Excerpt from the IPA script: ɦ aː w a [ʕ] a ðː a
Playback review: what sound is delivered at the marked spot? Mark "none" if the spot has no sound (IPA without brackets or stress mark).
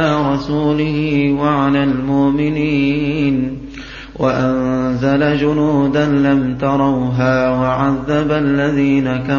ʕ